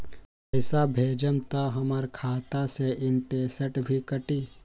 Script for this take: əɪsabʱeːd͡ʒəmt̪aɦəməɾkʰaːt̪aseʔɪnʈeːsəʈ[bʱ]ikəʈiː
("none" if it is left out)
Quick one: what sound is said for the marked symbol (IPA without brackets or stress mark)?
bʱ